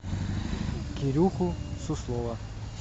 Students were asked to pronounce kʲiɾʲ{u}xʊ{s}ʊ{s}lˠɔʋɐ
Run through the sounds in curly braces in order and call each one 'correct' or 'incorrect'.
correct, correct, correct

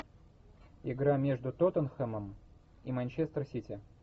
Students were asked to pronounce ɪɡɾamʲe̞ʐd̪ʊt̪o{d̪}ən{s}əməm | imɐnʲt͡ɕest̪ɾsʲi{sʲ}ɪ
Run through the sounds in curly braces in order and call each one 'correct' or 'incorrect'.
incorrect: t̪, incorrect: x, incorrect: tʲ

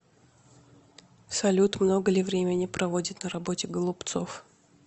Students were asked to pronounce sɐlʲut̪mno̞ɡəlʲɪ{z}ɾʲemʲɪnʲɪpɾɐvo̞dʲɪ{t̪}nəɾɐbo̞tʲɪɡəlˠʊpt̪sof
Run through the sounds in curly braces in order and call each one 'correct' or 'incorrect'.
incorrect: v, correct

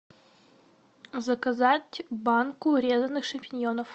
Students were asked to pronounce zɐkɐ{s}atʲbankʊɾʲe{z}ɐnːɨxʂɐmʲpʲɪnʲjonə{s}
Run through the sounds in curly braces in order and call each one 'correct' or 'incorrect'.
incorrect: z, correct, incorrect: f

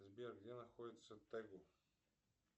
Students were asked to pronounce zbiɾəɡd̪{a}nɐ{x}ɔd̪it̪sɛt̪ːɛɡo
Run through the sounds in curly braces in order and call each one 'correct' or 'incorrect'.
incorrect: ɛ, correct

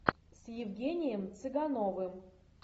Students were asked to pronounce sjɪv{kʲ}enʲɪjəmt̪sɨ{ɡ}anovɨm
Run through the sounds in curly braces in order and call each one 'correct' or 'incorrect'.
incorrect: ɡʲ, correct

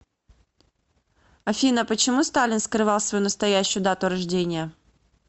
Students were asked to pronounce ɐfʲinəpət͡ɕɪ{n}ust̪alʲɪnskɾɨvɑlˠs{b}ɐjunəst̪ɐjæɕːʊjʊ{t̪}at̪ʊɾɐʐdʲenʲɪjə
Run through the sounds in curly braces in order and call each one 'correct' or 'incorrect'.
incorrect: m, incorrect: v, incorrect: d̪

